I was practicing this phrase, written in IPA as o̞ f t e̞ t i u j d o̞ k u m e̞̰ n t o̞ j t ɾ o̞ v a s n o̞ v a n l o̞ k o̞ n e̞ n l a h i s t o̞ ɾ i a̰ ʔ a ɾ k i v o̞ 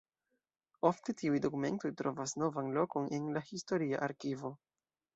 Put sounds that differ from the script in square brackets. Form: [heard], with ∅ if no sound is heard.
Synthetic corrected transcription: o̞ f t e̞ t i u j d o̞ k u m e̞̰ n t o̞ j t ɾ o̞ v a s n o̞ v a n l o̞ k o̞ n e̞ n l a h i s t o̞ ɾ i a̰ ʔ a ɾ k i v o̞